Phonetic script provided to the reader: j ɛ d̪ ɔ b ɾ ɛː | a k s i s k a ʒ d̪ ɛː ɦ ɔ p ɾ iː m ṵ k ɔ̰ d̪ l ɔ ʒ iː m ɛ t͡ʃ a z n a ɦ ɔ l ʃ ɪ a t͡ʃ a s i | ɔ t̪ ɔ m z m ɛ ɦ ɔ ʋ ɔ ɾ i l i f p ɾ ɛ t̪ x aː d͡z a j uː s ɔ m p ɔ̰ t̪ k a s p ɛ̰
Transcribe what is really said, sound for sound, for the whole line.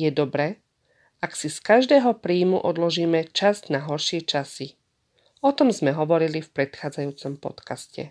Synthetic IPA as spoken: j ɛ d̪ ɔ b ɾ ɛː | a k s i s k a ʒ d̪ ɛː ɦ ɔ p ɾ iː m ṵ ʔ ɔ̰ d̪ l ɔ ʒ iː m ɛ t͡ʃ a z n a ɦ ɔ ɾ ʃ ɪ ɛ t͡ʃ a s i | ɔ t̪ ɔ m z m ɛ ɦ ɔ ʋ ɔ ɾ i l i f p ɾ ɛ t̪ x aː d͡z a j uː t͡s ɔ m p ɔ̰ t̪ k a s c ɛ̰